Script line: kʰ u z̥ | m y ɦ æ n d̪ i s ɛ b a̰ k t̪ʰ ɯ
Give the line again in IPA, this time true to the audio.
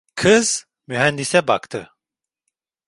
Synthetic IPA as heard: kʰ ɯ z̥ | m y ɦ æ n d̪ i s ɛ b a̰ k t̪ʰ ɯ